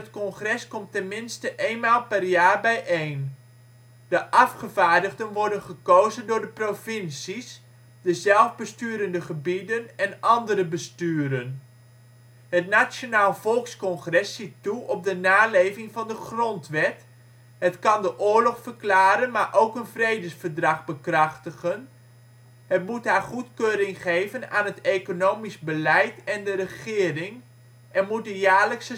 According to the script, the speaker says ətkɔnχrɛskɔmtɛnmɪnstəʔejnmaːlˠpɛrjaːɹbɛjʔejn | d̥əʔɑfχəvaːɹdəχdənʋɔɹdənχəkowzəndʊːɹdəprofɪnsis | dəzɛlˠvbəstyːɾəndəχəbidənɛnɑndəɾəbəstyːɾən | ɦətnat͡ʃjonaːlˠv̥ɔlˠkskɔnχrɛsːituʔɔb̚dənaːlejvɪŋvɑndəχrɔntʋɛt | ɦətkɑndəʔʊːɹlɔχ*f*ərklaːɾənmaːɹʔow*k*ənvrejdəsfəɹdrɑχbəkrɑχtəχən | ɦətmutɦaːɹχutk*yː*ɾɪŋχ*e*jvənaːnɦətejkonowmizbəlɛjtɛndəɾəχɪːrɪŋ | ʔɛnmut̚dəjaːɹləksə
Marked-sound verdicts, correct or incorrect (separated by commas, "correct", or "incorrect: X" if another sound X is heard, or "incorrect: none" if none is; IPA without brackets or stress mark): correct, correct, incorrect: øː, correct